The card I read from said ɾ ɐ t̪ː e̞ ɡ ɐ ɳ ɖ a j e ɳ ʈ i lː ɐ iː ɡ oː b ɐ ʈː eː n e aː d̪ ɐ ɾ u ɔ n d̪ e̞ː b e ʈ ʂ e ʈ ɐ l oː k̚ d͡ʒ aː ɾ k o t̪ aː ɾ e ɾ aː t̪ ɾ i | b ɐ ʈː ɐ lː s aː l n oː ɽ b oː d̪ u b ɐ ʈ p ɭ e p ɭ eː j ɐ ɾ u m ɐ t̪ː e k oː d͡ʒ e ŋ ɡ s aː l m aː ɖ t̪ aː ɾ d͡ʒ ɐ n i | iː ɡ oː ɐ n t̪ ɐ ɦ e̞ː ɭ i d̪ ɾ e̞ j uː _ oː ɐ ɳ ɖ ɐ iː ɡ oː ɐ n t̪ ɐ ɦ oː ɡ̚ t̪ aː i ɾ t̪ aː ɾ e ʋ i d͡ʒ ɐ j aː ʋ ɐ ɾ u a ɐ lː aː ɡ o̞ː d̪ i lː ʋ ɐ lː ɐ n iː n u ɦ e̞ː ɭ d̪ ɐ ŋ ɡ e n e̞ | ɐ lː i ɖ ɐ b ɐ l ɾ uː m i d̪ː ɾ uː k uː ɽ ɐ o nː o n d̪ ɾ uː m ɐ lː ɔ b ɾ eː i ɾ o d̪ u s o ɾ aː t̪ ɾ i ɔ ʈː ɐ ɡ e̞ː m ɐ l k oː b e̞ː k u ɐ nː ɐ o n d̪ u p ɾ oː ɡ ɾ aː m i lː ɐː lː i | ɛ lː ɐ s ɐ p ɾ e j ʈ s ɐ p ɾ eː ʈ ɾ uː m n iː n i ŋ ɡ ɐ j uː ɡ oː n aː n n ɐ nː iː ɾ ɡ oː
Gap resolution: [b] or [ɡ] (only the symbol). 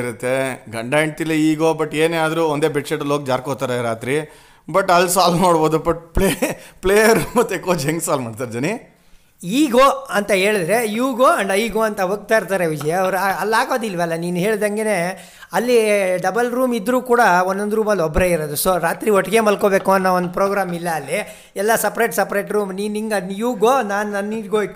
ɡ